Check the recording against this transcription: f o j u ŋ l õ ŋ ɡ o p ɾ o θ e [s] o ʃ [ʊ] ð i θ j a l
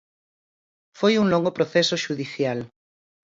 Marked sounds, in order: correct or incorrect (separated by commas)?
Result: correct, incorrect